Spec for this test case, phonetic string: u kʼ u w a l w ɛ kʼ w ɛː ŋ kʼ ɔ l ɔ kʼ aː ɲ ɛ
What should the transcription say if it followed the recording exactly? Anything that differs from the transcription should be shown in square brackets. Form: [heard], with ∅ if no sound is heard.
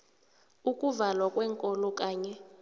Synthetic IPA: u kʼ u [v] a l w [a] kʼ w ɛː ŋ kʼ ɔ l ɔ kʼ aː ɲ ɛ